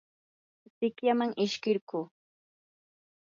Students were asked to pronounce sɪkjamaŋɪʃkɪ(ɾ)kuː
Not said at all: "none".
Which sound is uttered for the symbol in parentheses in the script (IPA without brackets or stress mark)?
ɾ